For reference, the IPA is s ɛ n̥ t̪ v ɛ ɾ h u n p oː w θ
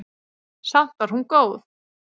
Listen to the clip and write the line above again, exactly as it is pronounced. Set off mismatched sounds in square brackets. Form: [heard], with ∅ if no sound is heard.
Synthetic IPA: s [a] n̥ t̪ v [a] ɾ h u n [k] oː w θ